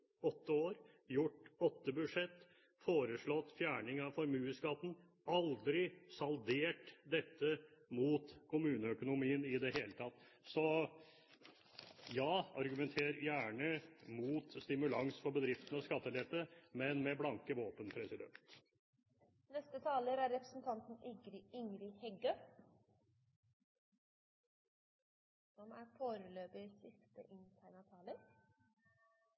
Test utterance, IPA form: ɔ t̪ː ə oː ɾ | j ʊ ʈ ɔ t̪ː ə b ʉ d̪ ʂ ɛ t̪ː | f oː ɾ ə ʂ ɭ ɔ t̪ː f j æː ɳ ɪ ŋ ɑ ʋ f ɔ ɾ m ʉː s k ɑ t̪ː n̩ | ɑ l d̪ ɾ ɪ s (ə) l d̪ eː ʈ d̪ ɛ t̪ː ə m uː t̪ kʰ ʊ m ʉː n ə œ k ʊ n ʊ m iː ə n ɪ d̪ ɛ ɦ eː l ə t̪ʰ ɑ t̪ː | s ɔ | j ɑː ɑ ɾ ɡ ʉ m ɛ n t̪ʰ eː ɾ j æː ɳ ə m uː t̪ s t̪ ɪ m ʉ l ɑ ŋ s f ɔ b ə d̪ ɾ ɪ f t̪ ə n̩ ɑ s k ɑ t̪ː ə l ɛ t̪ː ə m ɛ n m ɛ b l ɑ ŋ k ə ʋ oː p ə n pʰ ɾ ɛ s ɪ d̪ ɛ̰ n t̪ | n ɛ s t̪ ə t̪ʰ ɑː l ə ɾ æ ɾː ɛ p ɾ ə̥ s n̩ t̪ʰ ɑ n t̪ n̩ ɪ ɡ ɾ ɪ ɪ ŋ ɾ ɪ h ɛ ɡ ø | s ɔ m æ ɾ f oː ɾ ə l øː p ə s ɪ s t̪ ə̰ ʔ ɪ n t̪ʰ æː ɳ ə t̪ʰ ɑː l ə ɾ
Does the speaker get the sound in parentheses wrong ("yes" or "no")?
yes